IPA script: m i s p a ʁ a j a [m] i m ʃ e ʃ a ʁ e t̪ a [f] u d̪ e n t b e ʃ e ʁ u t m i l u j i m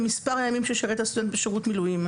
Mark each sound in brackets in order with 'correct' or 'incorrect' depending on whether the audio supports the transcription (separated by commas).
correct, incorrect